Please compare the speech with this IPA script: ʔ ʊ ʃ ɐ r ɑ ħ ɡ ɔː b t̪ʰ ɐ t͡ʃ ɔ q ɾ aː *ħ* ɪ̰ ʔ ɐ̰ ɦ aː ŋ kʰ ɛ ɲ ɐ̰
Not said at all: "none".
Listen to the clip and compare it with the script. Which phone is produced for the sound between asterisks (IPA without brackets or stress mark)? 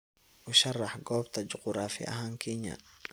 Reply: f